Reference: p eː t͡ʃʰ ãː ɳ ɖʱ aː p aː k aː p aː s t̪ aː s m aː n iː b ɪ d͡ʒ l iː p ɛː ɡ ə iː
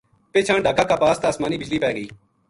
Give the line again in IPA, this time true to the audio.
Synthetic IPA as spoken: p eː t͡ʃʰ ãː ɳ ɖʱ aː k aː k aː p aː s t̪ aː s m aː n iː b ɪ d͡ʒ l iː p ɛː ɡ ə iː